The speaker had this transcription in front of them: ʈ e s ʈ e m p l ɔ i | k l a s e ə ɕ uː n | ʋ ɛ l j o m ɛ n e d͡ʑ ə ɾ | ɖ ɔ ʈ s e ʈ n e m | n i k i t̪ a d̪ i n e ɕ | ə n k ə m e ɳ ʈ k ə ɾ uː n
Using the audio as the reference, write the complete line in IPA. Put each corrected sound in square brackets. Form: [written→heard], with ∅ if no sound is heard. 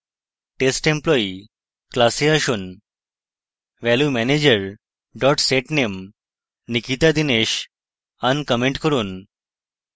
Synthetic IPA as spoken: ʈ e s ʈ e m p l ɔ i | k l a s e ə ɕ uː n | ʋ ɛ l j [o→u] m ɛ n e d͡ʑ ə ɾ | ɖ ɔ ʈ s e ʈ n e m | n i k i t̪ a d̪ i n e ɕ | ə n k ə m e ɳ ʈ k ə ɾ uː n